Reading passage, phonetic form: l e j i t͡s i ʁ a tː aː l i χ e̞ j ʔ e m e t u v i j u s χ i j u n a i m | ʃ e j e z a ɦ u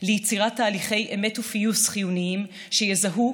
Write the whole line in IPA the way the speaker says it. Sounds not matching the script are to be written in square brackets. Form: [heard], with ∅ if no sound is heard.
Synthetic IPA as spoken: l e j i t͡s i ʁ a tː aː l i χ e̞ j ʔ e m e t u [f] i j u s χ i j u n [i] i m | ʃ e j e z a ɦ u